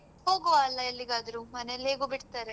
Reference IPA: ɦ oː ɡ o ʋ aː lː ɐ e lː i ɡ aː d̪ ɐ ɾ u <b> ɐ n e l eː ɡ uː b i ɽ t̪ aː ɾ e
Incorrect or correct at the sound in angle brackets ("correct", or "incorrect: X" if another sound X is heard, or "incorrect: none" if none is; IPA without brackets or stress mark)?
incorrect: m